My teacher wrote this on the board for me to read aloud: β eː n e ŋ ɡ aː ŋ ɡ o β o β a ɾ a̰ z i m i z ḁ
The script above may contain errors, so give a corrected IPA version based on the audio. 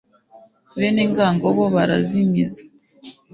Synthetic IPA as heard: β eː n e ŋ ɡ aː ŋ ɡ o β o β a ɾ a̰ z i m i z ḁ